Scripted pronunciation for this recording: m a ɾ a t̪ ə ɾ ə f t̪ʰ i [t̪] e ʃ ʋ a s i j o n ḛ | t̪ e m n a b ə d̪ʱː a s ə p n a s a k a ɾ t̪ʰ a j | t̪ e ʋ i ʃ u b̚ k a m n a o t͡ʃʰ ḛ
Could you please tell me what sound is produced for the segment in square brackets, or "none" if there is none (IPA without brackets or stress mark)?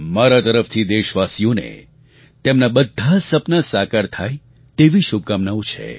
d̪